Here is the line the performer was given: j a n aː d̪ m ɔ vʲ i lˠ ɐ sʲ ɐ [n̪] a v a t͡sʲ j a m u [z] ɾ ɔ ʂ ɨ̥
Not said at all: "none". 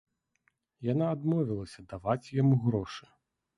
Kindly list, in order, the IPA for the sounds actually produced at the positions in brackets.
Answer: d̪, ɣ

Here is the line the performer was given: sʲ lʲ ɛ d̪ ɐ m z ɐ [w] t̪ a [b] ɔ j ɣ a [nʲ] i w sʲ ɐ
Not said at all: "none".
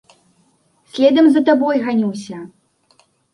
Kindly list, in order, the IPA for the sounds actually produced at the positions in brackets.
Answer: none, b, nʲ

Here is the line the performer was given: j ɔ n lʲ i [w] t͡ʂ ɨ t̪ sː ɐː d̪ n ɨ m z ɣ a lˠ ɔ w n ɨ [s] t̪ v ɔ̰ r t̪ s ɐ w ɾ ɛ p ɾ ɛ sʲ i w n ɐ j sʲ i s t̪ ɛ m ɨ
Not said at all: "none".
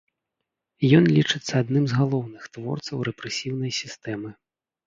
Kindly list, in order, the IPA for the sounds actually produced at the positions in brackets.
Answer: none, x

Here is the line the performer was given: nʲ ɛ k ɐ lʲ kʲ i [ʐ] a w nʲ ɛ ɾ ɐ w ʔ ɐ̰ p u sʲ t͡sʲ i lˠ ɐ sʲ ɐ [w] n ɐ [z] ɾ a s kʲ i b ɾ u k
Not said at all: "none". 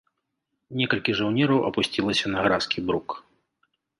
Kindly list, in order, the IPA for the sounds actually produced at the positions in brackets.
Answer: ʐ, none, ɣ

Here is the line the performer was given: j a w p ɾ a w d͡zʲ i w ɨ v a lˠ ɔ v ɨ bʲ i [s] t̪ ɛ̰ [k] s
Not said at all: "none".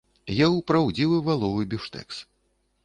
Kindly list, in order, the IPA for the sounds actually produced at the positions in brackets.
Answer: ʂ, k

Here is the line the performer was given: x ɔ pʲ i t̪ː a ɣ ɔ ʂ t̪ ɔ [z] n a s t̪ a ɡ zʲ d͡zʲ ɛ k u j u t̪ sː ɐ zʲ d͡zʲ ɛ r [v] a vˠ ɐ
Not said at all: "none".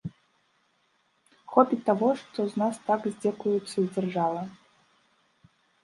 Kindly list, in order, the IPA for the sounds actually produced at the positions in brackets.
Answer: z, ʐ

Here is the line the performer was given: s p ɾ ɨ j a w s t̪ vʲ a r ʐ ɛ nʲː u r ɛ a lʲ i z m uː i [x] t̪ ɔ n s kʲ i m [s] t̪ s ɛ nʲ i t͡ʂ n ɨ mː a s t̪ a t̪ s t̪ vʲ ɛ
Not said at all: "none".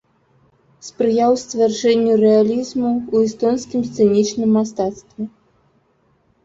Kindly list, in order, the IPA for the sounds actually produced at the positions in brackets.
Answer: s, s

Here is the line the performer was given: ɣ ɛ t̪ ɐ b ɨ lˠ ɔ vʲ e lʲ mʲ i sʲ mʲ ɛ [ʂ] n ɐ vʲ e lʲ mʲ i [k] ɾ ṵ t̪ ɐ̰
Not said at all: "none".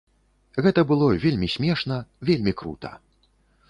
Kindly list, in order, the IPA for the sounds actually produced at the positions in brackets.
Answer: ʂ, k

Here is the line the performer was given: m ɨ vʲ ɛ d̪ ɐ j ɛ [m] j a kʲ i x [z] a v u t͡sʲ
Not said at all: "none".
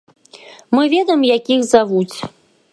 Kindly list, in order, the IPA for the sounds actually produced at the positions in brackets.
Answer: m, z

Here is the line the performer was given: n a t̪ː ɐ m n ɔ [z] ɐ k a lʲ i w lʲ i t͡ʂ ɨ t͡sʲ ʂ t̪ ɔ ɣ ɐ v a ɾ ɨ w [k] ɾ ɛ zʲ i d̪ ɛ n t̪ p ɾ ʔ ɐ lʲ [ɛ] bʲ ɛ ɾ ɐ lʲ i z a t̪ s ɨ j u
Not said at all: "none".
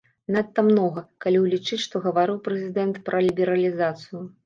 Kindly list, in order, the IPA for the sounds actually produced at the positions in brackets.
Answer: ɣ, p, i

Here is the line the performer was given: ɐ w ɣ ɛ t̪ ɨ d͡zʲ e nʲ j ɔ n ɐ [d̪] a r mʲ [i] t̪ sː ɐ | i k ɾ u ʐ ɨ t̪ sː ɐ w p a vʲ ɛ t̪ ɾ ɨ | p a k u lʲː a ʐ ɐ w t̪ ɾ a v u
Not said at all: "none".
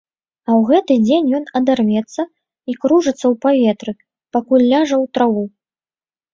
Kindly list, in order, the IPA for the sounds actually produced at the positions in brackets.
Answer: d̪, ɛ

